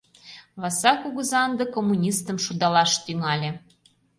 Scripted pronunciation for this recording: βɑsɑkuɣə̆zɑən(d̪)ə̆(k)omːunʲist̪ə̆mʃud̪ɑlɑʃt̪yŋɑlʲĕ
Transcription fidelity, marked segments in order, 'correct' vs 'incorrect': correct, correct

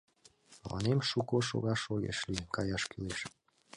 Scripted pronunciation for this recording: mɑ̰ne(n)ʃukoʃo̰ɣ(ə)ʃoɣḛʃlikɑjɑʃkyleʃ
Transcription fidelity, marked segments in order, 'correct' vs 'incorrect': incorrect, incorrect

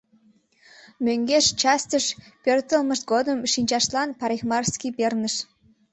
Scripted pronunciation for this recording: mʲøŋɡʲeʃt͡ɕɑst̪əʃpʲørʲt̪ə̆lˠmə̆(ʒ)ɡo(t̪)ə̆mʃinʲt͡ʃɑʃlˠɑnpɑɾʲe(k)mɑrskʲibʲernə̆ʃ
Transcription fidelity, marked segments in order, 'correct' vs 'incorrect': incorrect, incorrect, incorrect

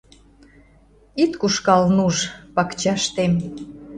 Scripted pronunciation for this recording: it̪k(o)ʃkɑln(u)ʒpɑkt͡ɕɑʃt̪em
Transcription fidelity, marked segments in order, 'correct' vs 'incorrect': incorrect, correct

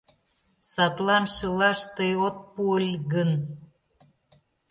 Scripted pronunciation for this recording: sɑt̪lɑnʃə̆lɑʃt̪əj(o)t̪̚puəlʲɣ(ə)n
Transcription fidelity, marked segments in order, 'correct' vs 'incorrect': correct, correct

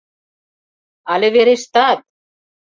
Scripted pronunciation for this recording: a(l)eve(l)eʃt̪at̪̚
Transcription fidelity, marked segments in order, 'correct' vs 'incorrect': correct, incorrect

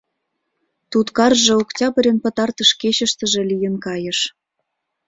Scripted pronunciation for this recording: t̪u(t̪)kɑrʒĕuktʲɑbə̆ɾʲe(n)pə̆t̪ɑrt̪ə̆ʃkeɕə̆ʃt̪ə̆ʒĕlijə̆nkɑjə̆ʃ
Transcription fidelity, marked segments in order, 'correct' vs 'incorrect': correct, correct

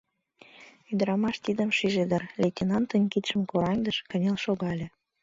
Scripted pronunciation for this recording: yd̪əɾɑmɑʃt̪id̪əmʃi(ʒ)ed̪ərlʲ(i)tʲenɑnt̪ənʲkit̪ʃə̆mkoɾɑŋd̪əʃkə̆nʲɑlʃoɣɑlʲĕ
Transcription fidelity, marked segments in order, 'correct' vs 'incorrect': correct, incorrect

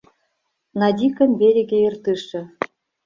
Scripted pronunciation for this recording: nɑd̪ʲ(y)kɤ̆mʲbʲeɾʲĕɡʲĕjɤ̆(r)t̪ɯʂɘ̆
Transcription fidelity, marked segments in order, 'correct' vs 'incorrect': incorrect, correct

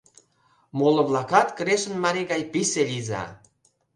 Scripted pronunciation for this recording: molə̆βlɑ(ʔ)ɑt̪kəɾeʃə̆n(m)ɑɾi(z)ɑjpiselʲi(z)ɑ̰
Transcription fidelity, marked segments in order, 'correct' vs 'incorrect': incorrect, correct, incorrect, correct

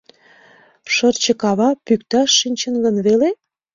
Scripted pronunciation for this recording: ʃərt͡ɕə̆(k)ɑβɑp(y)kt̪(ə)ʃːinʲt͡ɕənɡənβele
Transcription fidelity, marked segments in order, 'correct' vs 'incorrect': correct, correct, incorrect

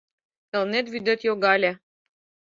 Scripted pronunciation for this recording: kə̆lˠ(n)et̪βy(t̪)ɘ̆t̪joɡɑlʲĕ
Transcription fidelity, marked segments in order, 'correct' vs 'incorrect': correct, incorrect

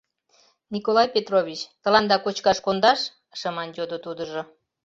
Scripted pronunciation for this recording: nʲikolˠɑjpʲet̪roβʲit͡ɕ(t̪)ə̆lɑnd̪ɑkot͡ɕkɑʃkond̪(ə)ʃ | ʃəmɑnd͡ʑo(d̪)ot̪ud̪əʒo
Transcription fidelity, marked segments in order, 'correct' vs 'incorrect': correct, incorrect, correct

